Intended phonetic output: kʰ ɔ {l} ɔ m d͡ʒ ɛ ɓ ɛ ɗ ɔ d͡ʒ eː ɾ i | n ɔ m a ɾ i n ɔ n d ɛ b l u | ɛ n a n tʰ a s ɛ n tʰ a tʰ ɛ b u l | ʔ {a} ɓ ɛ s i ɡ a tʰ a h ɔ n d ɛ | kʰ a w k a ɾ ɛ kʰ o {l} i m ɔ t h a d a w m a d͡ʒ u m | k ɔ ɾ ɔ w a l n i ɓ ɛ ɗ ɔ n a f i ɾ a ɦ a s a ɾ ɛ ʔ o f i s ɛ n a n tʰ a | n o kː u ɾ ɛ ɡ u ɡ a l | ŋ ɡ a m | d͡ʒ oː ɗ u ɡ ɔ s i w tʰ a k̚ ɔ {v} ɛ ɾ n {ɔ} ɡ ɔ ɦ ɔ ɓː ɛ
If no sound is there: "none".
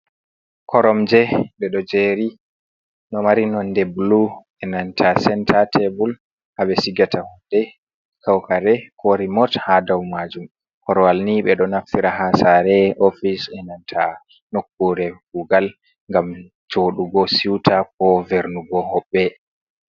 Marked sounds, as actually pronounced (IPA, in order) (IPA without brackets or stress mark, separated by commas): ɾ, a, ɾ, v, u